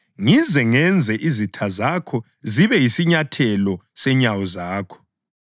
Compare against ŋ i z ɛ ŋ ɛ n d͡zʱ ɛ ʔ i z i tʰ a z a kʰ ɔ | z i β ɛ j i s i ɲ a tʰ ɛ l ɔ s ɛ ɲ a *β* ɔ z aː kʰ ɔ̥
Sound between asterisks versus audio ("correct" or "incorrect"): incorrect